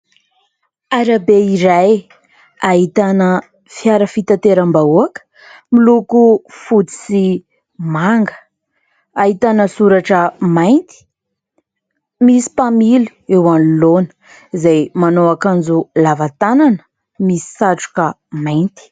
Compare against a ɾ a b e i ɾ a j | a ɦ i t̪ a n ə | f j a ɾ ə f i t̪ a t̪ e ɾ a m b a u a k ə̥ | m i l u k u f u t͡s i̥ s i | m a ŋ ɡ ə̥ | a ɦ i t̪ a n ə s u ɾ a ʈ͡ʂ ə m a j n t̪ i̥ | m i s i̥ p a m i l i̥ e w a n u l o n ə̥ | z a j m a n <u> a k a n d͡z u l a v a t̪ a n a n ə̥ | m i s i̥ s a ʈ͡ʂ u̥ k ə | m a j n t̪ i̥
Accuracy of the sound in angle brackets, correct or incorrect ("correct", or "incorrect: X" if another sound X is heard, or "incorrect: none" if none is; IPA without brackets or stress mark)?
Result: incorrect: o